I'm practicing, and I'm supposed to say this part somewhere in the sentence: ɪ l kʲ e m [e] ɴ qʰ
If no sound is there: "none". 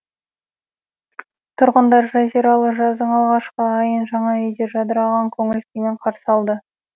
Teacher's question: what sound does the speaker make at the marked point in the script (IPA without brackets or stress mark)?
e